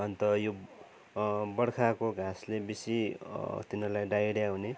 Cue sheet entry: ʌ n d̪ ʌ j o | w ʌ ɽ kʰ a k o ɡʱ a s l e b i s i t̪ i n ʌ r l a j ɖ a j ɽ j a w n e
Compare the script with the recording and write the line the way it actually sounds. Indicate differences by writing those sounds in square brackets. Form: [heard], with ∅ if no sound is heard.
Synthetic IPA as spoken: ʌ n [t̪] ʌ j o | [b] ʌ ɽ kʰ a k o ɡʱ a s l e b i s i t̪ i n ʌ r l a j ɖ a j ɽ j a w n e